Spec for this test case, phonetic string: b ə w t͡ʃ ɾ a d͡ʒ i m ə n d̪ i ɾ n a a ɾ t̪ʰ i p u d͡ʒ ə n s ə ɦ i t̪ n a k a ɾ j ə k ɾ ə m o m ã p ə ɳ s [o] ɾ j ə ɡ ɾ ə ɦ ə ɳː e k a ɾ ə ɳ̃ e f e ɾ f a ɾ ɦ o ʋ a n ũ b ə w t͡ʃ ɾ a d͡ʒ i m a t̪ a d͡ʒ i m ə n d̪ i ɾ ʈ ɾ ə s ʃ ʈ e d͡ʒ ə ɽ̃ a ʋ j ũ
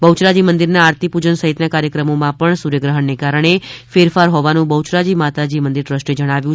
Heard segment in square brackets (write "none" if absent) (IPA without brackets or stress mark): u